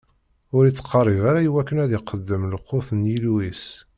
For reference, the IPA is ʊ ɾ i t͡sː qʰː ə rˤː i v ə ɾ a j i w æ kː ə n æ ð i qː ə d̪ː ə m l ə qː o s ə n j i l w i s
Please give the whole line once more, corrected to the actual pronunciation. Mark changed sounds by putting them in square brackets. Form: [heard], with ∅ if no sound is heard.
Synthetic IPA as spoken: ʊ ɾ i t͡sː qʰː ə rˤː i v [a] ɾ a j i w æ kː ə n æ ð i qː ə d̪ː ə m l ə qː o [θ] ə n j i l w i s

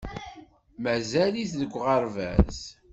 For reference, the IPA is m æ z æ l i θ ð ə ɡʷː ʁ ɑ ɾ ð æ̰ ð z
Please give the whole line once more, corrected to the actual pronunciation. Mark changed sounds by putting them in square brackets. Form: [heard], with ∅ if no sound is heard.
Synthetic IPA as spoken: m æ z æ l i θ ð ə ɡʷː ʁ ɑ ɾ [v] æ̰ [∅] z

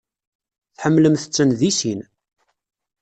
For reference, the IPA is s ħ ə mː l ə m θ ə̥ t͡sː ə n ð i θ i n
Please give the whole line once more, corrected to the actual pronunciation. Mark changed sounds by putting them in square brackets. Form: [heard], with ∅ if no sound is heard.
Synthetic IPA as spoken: [θ] ħ ə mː l ə m θ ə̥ t͡sː ə n ð i [s] i n

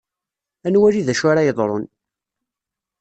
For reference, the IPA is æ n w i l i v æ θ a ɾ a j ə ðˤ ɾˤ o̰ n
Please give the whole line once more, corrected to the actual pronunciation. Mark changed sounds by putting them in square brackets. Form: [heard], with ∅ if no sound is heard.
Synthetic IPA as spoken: æ n w [æ] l i [ð] æ [ʃ] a ɾ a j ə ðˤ ɾˤ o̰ n

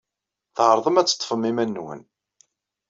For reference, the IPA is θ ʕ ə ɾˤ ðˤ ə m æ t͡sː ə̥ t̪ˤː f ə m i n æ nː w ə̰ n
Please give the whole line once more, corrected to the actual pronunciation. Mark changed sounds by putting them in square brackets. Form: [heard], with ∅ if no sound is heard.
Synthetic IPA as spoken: θ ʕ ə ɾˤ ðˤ ə m æ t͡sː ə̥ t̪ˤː f ə m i [m] æ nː w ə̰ n

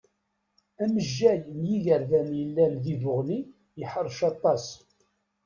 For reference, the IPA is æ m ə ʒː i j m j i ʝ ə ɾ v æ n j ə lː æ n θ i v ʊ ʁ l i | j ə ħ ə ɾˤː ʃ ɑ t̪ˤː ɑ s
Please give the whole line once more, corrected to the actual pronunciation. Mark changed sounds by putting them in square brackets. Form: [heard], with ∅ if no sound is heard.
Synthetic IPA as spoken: æ m ə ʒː [æ] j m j i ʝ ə ɾ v æ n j ə lː æ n [ð] i v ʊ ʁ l i | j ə ħ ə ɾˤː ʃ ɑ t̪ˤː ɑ s

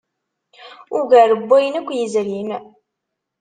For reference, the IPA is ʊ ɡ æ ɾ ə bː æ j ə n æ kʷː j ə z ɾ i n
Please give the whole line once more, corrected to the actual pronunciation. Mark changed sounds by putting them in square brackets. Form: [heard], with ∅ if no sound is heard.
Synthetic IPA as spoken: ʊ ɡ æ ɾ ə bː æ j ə n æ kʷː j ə z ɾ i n

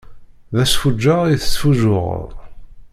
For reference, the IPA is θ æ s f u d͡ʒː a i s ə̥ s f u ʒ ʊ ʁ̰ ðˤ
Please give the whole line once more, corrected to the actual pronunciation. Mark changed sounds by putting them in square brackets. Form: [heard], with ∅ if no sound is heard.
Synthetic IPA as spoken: [ð] æ s f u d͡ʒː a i [θ] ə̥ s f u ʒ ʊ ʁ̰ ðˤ

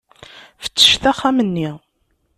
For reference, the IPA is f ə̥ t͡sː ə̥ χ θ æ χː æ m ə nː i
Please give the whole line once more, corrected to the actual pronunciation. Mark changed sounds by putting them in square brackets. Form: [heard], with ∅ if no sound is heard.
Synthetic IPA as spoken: f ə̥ t͡sː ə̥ [ʃ] θ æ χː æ m ə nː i

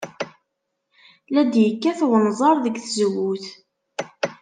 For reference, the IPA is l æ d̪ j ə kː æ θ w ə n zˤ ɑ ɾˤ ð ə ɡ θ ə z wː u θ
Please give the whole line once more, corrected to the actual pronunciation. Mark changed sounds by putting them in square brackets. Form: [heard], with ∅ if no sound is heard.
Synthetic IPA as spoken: l æ d̪ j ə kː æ θ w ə n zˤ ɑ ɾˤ ð ə ɡ θ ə z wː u θ

